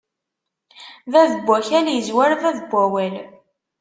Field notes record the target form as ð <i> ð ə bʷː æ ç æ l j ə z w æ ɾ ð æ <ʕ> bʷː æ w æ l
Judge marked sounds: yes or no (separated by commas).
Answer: no, no